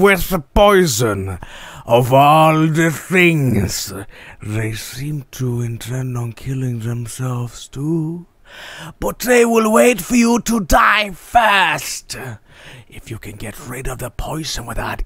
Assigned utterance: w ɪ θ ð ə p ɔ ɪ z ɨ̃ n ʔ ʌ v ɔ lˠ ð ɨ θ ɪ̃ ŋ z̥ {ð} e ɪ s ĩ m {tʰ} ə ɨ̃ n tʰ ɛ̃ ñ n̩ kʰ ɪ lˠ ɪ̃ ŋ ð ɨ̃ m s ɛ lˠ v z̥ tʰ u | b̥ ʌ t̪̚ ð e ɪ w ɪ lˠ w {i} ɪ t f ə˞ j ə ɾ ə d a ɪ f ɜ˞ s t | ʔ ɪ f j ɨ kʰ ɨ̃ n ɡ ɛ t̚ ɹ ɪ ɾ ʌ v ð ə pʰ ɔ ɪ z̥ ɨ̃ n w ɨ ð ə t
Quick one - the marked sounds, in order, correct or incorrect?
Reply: correct, correct, incorrect

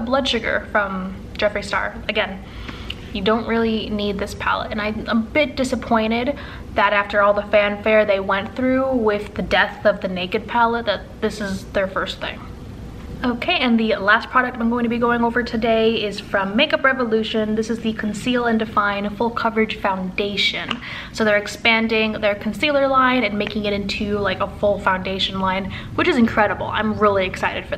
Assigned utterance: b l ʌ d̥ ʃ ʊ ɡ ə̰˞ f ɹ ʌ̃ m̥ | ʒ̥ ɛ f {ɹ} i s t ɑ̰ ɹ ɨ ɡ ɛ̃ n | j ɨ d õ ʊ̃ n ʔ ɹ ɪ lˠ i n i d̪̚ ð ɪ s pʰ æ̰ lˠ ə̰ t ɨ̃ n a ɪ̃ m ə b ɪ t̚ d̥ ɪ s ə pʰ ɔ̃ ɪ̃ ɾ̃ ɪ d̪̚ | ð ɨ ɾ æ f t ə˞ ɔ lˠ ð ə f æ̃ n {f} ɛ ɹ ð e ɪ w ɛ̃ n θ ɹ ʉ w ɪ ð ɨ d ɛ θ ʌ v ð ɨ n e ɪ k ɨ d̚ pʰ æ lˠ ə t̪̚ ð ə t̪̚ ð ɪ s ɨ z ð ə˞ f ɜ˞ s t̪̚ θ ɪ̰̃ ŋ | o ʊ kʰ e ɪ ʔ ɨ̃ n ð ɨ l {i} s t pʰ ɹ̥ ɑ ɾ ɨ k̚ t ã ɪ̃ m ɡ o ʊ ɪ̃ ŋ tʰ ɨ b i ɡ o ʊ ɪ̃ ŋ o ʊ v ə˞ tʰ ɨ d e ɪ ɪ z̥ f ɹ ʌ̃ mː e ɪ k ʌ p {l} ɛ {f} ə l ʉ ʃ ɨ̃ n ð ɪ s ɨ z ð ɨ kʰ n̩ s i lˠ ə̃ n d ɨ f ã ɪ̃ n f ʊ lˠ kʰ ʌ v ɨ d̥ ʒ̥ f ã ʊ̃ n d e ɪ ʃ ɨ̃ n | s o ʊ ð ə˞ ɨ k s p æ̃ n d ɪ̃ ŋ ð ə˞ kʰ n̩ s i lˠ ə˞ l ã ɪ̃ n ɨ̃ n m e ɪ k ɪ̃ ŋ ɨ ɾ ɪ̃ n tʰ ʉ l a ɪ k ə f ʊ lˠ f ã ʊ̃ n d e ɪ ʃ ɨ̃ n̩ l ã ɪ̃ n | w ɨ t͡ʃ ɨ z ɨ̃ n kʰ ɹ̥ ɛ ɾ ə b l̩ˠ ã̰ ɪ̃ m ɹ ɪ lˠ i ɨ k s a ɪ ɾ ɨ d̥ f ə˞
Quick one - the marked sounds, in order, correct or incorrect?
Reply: correct, correct, incorrect, incorrect, incorrect

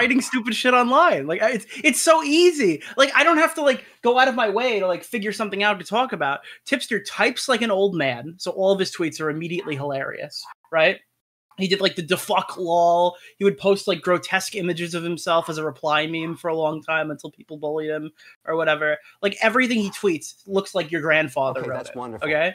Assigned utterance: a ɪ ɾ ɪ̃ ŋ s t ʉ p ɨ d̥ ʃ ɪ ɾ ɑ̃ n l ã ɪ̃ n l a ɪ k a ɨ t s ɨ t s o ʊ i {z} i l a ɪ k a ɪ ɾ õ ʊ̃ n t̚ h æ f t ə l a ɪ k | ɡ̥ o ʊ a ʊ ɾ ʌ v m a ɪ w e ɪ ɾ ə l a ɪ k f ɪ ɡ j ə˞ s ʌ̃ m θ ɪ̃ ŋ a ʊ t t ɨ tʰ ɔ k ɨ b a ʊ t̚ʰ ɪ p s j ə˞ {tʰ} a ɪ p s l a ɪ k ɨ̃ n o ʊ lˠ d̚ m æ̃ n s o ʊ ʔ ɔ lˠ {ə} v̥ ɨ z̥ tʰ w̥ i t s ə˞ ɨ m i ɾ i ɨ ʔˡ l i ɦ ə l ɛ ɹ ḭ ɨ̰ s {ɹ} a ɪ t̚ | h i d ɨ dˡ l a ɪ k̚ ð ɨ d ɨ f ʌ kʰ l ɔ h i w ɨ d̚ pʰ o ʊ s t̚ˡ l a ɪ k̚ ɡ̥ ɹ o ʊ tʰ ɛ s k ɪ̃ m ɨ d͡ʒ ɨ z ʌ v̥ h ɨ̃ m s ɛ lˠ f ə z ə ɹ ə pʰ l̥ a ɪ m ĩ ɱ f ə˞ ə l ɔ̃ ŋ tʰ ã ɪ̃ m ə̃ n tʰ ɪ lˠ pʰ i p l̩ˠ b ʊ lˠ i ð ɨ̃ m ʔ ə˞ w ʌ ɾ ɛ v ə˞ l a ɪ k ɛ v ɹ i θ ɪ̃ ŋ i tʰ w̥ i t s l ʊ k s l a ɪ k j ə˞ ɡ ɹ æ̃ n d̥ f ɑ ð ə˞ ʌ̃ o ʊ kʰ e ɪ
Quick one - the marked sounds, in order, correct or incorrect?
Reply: correct, correct, incorrect, correct

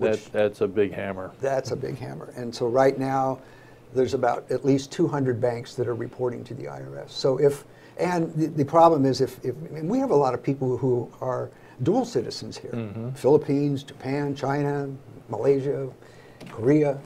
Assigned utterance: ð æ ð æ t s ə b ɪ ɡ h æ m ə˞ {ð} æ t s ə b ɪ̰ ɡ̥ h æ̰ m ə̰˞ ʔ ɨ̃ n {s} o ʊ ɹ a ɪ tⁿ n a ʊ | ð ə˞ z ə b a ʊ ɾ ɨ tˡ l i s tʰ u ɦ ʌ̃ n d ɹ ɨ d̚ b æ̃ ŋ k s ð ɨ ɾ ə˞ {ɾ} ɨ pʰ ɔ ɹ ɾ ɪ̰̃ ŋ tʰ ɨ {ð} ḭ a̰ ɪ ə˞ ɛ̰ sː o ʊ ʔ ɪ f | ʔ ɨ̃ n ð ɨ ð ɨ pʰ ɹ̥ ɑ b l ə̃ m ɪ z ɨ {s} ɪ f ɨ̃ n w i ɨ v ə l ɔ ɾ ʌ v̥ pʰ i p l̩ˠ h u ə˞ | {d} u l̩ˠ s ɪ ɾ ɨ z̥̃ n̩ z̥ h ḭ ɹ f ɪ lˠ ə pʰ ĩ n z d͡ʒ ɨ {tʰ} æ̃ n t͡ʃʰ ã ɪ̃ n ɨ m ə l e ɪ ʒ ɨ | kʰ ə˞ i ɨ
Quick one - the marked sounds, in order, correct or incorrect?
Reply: correct, correct, incorrect, correct, incorrect, correct, incorrect

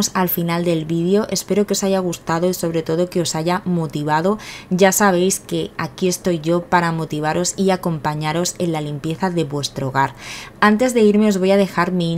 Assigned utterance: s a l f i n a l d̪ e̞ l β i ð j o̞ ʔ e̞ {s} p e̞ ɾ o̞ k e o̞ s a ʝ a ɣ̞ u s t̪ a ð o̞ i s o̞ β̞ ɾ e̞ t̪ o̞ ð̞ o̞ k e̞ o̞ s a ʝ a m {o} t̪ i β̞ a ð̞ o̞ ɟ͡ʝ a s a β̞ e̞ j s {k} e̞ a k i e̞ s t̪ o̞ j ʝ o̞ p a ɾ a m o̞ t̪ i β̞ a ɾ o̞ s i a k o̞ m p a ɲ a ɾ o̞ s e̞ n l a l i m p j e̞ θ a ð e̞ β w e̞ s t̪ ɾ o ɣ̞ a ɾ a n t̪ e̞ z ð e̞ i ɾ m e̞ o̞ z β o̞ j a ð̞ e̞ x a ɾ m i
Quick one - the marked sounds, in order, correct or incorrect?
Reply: correct, correct, correct

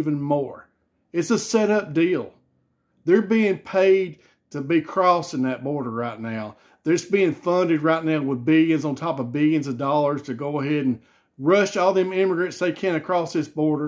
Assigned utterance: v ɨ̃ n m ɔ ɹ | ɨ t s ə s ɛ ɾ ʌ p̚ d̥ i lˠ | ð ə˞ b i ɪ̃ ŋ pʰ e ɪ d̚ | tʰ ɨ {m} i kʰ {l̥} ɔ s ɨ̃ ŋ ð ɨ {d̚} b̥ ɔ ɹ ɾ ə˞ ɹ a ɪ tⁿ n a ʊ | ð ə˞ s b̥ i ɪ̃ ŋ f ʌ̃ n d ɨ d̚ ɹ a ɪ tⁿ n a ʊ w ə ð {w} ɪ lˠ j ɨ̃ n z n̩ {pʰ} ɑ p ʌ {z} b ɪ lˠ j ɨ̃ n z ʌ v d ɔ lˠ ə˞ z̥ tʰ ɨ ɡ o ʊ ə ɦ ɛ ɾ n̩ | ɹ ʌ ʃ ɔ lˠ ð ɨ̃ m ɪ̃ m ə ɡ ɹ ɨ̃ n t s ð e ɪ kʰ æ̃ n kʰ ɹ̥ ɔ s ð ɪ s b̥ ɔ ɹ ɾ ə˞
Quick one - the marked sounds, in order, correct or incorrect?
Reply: incorrect, incorrect, incorrect, incorrect, incorrect, incorrect

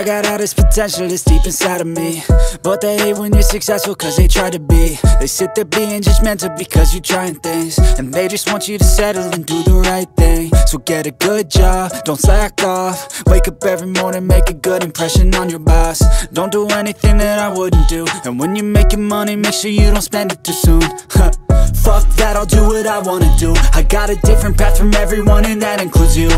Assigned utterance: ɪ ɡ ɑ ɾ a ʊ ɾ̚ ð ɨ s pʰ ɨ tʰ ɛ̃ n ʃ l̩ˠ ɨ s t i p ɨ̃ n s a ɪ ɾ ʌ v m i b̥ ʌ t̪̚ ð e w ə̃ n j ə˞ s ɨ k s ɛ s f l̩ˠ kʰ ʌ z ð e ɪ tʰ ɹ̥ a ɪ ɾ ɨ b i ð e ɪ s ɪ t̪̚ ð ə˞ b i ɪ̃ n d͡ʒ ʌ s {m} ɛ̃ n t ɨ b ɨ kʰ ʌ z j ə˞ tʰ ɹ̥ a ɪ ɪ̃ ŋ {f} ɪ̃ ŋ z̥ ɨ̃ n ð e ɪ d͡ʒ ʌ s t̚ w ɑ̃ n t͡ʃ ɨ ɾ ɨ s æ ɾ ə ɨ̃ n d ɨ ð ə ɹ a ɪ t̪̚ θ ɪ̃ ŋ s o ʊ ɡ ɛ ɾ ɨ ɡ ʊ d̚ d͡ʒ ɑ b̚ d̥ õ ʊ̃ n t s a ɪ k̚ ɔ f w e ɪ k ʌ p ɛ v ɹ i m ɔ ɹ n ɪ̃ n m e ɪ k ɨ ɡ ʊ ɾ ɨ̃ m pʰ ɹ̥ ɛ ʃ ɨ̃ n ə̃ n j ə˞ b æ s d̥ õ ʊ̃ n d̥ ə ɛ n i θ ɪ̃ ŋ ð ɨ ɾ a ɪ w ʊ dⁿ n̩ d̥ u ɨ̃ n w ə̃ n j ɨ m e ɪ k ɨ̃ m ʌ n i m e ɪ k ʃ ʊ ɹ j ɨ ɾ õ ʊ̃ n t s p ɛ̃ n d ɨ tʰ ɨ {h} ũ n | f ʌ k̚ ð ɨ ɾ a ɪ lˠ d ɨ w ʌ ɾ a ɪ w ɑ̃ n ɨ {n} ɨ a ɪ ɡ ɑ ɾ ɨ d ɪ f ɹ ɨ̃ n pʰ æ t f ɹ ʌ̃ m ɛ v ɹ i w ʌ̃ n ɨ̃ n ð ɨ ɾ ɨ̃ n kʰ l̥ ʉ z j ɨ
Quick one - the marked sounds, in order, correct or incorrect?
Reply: correct, incorrect, incorrect, incorrect

